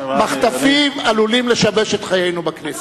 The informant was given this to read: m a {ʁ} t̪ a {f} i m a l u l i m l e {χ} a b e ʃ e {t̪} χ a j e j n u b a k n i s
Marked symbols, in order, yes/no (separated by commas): no, yes, no, yes